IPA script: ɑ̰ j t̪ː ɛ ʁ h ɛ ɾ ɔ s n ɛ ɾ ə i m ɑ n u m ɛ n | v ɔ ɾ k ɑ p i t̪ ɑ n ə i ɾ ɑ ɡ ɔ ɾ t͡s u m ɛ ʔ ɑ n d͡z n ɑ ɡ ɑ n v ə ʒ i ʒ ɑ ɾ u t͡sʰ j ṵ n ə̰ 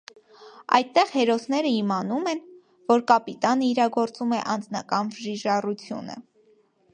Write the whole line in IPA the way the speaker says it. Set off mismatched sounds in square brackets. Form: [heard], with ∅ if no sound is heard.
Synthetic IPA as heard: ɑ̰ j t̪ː ɛ ʁ h ɛ ɾ ɔ s n ɛ ɾ ə i m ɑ n u m ɛ n | v ɔ ɾ k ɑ p i t̪ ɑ n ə i ɾ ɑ ɡ ɔ ɾ t͡s u m ɛ ʔ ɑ n d͡z n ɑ [k] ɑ n v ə ʒ i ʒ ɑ [r] u t͡sʰ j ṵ n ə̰